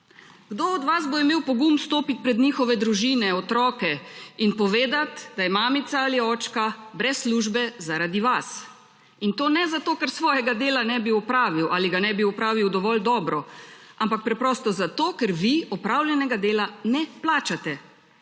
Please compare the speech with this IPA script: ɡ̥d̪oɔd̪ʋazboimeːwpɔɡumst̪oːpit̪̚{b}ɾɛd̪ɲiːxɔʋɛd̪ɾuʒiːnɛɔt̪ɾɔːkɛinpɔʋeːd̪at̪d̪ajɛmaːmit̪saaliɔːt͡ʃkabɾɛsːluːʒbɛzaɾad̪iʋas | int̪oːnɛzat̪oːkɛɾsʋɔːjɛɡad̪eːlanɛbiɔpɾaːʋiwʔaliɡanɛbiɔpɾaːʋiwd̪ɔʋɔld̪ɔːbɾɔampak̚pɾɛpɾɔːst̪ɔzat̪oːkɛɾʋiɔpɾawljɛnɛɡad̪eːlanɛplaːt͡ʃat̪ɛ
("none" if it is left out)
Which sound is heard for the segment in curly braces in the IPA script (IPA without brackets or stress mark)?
p